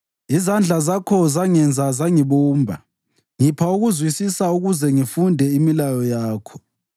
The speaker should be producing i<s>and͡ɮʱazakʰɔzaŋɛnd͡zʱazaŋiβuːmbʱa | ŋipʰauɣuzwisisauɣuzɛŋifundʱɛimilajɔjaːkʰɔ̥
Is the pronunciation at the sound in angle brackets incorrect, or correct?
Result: incorrect